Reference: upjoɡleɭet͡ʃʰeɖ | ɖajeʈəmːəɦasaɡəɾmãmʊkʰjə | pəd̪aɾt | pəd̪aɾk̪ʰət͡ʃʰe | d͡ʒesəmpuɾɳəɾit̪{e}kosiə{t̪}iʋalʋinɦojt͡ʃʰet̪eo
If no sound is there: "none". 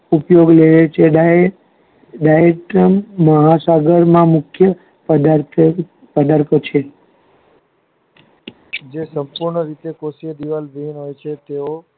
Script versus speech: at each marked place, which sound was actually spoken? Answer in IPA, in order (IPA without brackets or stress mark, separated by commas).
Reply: e, d̪